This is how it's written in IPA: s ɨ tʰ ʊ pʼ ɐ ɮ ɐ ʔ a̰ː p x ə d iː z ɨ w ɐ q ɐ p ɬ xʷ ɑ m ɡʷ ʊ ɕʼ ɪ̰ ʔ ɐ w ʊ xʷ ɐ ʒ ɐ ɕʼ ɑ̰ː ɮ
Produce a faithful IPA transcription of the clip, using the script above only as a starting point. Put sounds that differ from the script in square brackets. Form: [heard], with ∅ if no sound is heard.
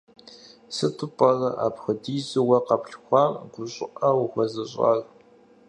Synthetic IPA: s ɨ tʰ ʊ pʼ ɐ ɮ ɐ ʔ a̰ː p x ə d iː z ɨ w ɐ q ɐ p ɬ xʷ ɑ m ɡʷ ʊ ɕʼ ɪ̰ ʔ ɐ w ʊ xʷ ɐ [z] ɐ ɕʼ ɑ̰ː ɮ

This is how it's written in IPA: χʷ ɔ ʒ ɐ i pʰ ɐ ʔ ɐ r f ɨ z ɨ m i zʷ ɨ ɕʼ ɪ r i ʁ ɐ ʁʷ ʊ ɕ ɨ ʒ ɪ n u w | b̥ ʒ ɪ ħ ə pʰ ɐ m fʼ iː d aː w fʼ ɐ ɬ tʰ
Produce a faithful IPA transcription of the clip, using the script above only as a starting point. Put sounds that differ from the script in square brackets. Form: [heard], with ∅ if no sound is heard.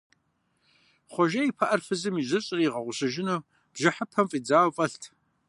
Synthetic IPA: χʷ ɔ ʒ ɐ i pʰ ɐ ʔ ɐ r f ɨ z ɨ m i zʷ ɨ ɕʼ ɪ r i ʁ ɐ ʁʷ ʊ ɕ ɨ ʒ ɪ n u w | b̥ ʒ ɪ ħ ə pʰ ɐ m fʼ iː [d͡z] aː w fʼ ɐ ɬ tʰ

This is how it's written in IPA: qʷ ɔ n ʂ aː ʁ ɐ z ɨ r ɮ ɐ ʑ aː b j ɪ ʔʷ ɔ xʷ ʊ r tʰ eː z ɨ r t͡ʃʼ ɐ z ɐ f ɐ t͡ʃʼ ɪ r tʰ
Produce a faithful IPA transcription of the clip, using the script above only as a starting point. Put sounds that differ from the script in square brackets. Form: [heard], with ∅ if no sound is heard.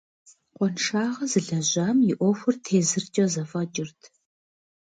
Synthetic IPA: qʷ ɔ n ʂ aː ʁ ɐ z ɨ [∅] ɮ ɐ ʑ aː [m] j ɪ ʔʷ ɔ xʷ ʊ r tʰ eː z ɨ r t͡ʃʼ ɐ z ɐ f ɐ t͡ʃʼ ɪ r tʰ

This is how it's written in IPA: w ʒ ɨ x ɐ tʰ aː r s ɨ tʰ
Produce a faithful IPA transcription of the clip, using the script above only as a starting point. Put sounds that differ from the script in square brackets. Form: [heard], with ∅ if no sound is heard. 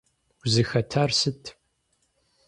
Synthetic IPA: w [z] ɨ x ɐ tʰ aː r s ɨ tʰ

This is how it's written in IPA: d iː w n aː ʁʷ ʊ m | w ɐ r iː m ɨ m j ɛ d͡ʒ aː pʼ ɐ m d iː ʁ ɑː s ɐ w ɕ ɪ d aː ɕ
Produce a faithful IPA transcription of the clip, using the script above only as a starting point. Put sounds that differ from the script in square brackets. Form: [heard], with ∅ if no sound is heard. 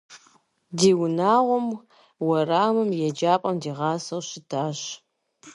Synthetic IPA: d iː w n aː ʁʷ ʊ m | w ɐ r [aː] m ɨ m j ɛ d͡ʒ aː pʼ ɐ m d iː ʁ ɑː s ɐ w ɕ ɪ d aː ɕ

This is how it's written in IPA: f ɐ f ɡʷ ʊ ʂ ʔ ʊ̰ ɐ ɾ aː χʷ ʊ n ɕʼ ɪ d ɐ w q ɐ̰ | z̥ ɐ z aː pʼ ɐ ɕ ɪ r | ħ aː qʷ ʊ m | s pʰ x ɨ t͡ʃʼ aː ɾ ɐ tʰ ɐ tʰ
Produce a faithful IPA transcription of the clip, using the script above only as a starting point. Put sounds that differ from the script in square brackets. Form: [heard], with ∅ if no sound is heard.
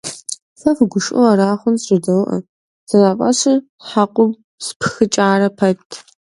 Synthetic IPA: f ɐ f ɡʷ ʊ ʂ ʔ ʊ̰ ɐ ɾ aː χʷ ʊ n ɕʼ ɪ d ɐ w [ʔ] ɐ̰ | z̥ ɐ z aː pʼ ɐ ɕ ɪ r | ħ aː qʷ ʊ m | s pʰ x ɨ t͡ʃʼ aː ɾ ɐ [pʰ] ɐ tʰ

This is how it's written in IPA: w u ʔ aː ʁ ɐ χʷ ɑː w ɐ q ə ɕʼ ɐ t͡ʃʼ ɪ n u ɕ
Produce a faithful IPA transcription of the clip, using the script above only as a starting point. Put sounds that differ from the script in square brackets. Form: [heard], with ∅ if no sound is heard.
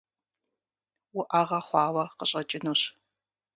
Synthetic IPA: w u ʔ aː ʁ ɐ χʷ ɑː w ɐ q ə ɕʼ ɐ t͡ʃʼ ɪ n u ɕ

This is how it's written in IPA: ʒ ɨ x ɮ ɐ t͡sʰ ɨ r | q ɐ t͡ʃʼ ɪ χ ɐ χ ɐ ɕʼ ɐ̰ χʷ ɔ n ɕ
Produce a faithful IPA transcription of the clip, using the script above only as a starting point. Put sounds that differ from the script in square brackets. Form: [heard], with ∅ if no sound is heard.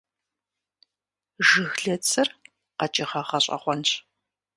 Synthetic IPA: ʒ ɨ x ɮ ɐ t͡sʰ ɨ r | q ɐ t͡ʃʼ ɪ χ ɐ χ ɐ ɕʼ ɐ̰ χʷ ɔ n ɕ

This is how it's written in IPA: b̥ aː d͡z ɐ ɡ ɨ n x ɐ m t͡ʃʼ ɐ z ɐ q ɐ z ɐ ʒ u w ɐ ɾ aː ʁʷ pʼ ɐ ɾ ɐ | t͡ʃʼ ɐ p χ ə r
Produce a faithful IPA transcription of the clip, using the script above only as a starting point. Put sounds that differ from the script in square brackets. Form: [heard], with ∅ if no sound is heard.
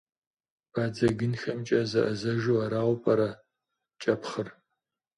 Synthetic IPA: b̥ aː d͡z ɐ ɡ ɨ n x ɐ m t͡ʃʼ ɐ z ɐ [ʔ] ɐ z ɐ ʒ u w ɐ ɾ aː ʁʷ pʼ ɐ ɾ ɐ | t͡ʃʼ ɐ p χ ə r

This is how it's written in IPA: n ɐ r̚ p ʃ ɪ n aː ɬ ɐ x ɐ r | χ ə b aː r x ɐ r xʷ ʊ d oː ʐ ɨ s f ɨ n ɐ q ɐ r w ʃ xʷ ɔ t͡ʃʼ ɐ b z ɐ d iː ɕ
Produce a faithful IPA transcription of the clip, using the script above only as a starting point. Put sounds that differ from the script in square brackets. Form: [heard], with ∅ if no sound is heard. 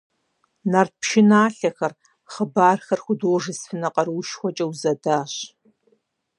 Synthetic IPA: n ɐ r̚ p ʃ ɪ n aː ɬ ɐ x ɐ r | χ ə b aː r x ɐ r xʷ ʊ d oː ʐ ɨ s f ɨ n ɐ q ɐ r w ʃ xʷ ɔ t͡ʃʼ ɐ [w] z ɐ d [aː] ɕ

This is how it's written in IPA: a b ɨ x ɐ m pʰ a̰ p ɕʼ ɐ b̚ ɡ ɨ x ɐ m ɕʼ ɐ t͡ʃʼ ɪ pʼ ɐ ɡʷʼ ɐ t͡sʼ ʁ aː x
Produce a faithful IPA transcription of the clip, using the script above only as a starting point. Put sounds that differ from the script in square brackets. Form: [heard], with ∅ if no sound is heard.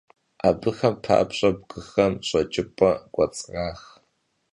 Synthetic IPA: a b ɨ x ɐ m pʰ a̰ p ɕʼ ɐ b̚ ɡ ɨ x ɐ m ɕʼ ɐ t͡ʃʼ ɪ pʼ ɐ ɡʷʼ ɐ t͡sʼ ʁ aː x

